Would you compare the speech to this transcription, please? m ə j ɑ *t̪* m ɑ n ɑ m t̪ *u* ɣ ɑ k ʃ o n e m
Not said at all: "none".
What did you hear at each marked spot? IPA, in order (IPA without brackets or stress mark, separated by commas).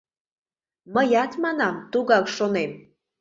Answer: t̪, u